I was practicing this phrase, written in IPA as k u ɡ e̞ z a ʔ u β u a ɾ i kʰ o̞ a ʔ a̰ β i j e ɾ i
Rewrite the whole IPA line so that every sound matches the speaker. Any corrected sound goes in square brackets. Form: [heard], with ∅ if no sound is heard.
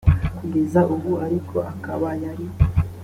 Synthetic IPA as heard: k u ɡ e̞ z a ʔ u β u a ɾ i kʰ o̞ a [k] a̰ β [a] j [a] ɾ i

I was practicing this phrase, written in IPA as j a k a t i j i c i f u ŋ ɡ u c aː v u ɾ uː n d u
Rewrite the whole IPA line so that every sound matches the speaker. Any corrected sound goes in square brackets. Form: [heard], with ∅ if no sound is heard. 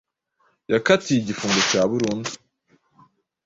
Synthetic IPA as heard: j a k a t i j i [ɟ] i f [uː] ŋ ɡ [o] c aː [β] u ɾ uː n d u

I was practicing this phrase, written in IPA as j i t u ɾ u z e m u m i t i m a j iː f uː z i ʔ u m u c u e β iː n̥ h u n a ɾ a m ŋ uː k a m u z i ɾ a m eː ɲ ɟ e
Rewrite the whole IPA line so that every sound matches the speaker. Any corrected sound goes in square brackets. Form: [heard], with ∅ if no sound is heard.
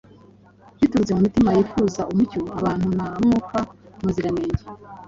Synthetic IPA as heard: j i t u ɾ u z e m u m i t i m a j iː f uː z [a] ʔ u m u c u [a] β [aː] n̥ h u n a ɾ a m ŋ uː k a m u z i ɾ a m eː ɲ ɟ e

